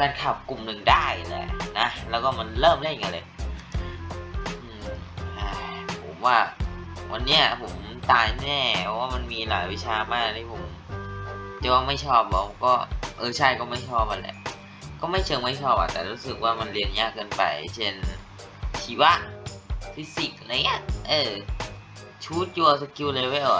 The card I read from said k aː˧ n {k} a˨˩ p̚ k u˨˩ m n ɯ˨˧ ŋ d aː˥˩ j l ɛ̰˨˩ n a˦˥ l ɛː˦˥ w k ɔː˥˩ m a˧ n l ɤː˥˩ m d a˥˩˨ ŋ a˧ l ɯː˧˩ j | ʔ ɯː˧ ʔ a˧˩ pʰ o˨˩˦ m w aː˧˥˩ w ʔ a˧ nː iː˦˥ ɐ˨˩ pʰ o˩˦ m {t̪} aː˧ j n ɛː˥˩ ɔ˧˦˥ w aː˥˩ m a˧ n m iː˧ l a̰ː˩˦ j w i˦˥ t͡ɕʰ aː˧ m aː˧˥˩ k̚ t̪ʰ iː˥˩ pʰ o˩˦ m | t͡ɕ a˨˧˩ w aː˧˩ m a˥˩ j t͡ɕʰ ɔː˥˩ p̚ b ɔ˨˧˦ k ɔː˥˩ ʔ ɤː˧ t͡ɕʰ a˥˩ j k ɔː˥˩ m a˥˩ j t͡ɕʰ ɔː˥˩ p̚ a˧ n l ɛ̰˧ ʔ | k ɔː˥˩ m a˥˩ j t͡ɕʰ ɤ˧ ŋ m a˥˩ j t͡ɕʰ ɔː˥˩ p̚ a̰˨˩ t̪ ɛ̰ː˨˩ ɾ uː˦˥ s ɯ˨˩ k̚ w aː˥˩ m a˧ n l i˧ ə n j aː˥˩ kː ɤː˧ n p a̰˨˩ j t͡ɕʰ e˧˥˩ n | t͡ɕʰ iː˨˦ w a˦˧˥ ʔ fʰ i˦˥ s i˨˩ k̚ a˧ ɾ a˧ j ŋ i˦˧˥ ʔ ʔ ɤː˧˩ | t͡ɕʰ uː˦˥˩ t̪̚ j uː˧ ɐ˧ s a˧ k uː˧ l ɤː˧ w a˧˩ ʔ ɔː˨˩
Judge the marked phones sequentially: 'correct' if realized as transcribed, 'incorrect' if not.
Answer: incorrect: kʰ, correct

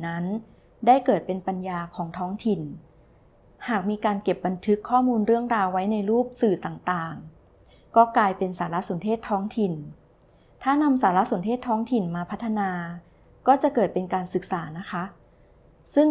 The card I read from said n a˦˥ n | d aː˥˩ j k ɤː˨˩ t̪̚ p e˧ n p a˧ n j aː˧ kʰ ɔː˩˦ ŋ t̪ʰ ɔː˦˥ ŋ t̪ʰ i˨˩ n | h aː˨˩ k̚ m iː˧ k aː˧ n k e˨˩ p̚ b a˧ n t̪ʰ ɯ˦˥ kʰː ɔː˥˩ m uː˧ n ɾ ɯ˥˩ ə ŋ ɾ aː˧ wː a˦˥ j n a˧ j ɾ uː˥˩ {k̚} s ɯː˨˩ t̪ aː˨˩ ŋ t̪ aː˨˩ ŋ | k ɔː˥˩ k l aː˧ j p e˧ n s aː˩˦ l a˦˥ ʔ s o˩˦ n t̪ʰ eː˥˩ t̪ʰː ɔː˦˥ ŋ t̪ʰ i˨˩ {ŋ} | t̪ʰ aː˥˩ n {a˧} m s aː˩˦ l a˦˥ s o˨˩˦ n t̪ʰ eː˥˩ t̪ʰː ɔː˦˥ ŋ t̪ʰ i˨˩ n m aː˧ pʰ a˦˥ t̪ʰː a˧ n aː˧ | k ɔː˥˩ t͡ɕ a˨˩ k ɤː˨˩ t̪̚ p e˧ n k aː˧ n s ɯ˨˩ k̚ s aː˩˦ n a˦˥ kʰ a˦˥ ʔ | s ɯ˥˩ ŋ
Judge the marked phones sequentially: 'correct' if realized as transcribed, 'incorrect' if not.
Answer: incorrect: p̚, incorrect: n, correct

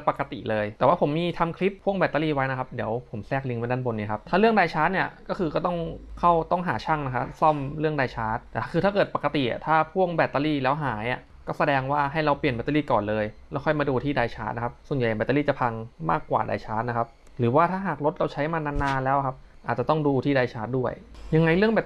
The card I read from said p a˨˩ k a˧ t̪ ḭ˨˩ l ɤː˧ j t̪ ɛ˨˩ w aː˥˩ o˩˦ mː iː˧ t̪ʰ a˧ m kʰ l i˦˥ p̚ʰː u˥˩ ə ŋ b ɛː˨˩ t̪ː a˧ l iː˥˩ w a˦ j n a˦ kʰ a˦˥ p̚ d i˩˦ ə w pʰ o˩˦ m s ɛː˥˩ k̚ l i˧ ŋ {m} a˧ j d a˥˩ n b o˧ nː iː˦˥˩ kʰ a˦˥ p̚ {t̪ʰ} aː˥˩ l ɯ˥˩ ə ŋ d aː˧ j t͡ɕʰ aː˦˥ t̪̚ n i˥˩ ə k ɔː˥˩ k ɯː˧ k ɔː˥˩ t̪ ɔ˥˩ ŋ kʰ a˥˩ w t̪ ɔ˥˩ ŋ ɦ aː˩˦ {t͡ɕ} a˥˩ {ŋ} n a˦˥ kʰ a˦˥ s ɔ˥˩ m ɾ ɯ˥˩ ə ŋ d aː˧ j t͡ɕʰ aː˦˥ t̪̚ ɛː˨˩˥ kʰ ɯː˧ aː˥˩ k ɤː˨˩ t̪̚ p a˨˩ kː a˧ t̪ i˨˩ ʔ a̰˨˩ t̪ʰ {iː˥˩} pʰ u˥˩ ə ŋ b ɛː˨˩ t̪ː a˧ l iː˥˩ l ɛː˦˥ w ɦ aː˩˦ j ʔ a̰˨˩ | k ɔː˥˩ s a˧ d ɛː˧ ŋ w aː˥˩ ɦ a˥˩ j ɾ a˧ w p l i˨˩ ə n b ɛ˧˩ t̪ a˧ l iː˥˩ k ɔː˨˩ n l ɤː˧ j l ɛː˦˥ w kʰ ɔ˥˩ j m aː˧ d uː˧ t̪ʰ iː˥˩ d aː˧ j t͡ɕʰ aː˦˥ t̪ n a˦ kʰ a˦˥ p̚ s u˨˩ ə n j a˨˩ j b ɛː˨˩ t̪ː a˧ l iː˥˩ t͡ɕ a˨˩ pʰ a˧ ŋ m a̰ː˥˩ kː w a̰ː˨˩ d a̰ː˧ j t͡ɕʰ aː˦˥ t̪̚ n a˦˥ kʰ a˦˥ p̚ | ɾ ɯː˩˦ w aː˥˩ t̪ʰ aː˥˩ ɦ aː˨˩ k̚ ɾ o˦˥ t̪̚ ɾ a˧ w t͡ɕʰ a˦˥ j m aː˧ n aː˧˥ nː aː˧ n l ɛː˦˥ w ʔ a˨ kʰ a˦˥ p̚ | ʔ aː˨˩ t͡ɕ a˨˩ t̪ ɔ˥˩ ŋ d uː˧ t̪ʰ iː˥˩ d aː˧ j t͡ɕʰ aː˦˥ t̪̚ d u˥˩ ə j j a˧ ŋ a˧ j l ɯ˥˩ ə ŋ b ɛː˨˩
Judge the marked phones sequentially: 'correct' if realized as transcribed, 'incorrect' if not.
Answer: correct, correct, incorrect: t͡ɕʰ, correct, incorrect: aː˥˩

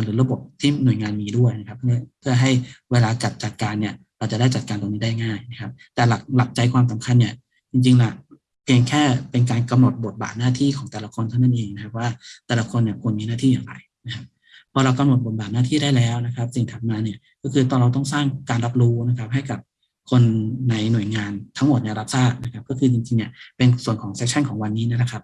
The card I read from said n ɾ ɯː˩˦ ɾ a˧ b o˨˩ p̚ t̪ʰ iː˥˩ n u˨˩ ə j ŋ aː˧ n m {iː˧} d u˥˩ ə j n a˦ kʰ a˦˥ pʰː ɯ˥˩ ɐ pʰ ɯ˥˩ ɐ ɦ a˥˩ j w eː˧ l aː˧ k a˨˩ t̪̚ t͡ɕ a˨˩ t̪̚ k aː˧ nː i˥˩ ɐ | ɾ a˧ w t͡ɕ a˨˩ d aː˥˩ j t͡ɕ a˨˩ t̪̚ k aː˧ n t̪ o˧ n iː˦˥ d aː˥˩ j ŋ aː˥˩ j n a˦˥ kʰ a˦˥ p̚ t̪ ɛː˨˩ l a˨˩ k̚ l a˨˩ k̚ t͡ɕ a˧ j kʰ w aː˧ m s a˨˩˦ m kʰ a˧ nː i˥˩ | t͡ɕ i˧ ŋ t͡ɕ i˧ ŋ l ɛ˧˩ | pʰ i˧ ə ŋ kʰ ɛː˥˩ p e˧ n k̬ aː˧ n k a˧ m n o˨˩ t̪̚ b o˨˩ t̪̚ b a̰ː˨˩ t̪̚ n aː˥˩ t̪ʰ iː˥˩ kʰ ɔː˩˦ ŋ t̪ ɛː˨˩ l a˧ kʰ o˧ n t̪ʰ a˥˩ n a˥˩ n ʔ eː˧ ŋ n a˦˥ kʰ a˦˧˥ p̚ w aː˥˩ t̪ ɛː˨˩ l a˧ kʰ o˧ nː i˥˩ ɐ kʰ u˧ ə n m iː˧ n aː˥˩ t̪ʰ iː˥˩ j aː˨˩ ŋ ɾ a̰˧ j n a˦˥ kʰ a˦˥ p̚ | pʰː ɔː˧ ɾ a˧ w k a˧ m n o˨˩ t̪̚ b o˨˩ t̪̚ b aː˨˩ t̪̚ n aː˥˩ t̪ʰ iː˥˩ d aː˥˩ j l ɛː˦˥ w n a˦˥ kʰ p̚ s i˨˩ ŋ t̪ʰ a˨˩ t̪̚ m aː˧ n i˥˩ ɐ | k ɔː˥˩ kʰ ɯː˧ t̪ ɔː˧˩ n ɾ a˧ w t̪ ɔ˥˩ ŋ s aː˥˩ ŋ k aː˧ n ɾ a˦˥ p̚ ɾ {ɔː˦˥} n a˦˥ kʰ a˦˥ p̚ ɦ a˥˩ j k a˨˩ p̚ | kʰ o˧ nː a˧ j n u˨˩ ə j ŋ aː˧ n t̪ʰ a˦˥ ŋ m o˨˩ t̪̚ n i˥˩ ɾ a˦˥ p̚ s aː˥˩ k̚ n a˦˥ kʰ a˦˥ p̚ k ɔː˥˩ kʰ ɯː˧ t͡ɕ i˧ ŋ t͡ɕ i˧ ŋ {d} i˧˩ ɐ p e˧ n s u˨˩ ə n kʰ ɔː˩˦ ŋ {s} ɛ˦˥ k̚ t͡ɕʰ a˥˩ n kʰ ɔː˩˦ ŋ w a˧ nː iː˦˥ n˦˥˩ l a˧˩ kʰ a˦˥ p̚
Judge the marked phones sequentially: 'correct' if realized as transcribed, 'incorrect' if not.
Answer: correct, incorrect: uː˦˥, incorrect: n, correct

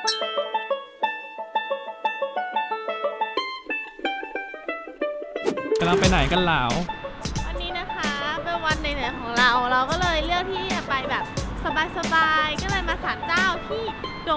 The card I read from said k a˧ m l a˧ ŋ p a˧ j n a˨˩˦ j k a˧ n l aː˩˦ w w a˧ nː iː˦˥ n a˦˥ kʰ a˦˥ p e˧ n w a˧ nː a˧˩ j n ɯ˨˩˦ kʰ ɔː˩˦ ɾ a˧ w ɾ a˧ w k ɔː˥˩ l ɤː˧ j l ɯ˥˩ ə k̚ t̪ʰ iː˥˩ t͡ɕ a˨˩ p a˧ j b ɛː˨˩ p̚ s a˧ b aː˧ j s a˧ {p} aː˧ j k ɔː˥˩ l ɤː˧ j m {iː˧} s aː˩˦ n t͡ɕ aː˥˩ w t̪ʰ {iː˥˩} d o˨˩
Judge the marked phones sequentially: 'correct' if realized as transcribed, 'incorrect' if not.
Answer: incorrect: b, incorrect: aː˧, correct

